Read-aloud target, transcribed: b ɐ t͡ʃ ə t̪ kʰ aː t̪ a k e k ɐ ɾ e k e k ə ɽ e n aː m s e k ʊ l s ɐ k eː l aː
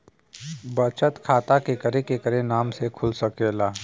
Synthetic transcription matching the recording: b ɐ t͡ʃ ə t̪ kʰ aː t̪ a k e k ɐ ɾ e k e k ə ɾ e n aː m s e kʰ ʊ l s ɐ k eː l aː